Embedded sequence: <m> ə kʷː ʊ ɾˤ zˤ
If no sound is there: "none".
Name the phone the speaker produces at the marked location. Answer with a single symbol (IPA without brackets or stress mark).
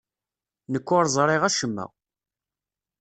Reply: n